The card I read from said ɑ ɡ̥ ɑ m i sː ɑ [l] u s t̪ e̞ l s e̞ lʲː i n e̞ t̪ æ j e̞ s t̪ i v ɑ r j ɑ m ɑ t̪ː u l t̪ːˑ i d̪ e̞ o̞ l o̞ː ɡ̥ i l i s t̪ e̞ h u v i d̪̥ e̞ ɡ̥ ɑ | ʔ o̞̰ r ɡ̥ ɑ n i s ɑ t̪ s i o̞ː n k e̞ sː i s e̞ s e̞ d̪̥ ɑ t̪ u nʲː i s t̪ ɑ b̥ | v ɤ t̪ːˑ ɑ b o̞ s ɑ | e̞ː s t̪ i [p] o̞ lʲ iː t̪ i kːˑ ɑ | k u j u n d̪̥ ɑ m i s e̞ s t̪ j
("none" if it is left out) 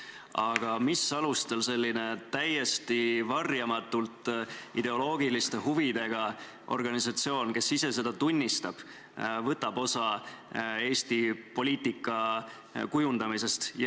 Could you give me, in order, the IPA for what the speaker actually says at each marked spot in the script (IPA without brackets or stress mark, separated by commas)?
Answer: l, p